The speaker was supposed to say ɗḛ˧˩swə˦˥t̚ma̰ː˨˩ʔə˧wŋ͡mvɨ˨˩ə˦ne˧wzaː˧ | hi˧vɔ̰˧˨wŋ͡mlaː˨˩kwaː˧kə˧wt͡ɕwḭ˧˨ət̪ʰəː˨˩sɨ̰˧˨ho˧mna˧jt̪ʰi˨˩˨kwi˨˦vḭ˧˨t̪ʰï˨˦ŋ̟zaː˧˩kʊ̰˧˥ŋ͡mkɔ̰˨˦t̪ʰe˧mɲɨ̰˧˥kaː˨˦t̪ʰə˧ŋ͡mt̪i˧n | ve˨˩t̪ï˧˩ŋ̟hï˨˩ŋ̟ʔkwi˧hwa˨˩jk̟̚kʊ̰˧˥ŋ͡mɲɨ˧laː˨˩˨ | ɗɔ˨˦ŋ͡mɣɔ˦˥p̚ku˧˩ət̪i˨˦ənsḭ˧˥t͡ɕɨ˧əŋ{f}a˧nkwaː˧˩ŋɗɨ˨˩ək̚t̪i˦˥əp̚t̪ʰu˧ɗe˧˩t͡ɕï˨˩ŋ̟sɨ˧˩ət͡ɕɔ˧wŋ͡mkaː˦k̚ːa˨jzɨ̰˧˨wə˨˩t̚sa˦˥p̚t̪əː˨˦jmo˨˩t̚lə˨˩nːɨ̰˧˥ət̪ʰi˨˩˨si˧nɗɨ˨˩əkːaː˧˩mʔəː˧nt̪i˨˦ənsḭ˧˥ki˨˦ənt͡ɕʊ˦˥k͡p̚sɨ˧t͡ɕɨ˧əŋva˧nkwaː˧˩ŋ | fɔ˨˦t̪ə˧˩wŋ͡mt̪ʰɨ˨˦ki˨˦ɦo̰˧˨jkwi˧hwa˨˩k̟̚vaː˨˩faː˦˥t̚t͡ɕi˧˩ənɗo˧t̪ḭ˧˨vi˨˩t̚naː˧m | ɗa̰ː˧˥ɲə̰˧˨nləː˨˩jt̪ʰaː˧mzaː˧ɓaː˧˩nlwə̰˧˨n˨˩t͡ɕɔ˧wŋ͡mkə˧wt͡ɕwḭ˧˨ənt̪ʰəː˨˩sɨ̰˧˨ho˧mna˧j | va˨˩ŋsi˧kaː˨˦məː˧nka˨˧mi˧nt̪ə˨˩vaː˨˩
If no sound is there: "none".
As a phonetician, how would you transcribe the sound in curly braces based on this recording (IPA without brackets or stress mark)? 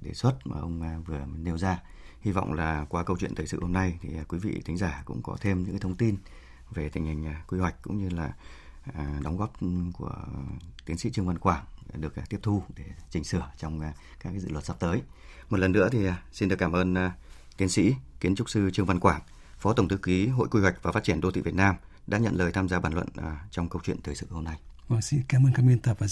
v